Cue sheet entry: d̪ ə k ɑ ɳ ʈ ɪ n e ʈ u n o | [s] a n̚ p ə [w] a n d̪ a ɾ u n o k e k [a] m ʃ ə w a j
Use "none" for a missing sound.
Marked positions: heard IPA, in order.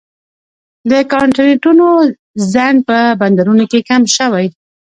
z, b, a

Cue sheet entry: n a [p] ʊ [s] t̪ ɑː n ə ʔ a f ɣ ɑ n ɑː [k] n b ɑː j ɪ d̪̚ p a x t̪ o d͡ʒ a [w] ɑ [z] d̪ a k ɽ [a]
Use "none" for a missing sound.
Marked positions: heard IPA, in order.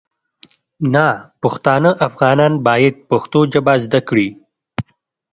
p, x, none, b, z, i

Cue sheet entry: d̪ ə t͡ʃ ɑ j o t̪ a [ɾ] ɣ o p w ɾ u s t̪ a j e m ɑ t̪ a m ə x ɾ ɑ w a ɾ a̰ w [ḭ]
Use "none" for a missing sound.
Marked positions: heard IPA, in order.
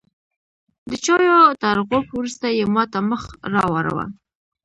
ɾ, a̰

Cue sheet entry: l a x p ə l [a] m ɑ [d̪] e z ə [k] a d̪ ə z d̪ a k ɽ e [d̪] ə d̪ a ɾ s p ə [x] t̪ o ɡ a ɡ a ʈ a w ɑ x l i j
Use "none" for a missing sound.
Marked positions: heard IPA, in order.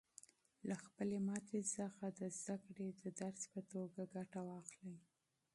e, t̪, x, d̪, none

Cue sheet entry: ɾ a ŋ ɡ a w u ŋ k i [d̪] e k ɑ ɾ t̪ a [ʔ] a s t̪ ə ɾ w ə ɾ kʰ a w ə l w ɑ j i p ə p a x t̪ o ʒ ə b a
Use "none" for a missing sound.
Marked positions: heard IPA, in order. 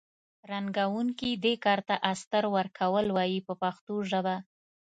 d̪, ʔ

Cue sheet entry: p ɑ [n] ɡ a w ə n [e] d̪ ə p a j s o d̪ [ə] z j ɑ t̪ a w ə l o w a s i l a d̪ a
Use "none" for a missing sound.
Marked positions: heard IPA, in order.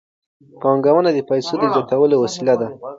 ŋ, a, ə

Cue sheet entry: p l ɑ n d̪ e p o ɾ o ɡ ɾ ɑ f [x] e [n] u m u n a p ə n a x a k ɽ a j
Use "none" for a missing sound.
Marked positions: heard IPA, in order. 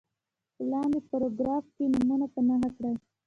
k, n

